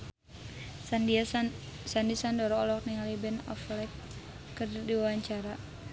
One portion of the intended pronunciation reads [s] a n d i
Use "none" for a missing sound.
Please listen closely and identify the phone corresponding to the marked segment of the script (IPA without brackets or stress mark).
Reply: s